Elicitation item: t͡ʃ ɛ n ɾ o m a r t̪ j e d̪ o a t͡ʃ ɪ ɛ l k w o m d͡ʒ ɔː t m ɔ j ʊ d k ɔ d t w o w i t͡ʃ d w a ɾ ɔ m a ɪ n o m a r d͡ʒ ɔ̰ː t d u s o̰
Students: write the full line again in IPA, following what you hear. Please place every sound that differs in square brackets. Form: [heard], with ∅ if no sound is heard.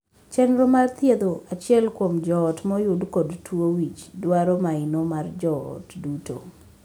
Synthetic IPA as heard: t͡ʃ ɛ n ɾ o m a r t̪ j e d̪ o a t͡ʃ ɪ ɛ l k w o m d͡ʒ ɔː t m ɔ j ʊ d k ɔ d t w o w i t͡ʃ d w a ɾ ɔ m a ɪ n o m a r d͡ʒ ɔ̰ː t d u [t] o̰